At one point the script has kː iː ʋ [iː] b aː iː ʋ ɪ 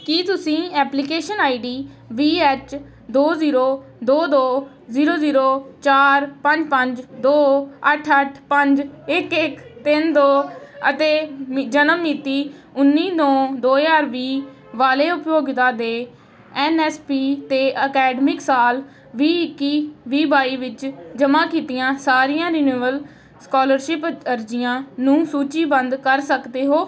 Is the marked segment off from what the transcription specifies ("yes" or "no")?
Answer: no